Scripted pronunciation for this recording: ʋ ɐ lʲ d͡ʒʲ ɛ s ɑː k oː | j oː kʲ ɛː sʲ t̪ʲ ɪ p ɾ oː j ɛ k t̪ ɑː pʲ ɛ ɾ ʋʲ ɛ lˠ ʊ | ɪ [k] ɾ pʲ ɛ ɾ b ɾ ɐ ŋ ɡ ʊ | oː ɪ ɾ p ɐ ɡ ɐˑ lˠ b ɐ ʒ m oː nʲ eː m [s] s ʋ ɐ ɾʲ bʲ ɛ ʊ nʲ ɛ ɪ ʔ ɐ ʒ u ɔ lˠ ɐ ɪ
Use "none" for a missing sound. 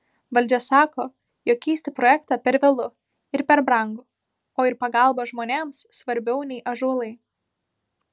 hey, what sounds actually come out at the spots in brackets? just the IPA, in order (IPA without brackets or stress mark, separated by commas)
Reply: none, s